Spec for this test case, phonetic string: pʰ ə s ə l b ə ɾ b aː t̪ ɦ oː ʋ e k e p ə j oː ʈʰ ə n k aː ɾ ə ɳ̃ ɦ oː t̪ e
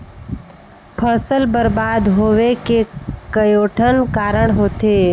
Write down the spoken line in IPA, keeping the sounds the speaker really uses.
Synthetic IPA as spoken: pʰ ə s ə l b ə ɾ b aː d̪ ɦ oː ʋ e k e k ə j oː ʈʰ ə n k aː ɾ ə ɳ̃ ɦ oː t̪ e